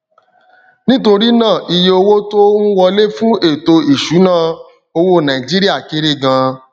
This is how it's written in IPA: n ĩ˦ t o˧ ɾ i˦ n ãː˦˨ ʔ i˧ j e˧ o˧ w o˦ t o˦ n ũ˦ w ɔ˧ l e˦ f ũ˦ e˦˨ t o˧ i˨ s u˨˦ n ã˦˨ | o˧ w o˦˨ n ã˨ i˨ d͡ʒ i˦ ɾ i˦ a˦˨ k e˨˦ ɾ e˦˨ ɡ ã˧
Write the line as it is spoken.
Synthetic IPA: n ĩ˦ t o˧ ɾ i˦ n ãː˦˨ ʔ i˧ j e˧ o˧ w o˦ t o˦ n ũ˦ w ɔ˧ l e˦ f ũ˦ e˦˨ t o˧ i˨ ʃ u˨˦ n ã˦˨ | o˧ w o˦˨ n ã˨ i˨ d͡ʒ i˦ ɾ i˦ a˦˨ k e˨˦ ɾ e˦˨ ɡ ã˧